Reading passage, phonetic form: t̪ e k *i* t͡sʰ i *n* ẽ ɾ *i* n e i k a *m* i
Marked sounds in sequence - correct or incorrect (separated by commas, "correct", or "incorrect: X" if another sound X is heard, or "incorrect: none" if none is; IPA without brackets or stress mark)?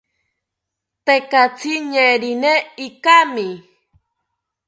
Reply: incorrect: a, incorrect: ɲ, correct, correct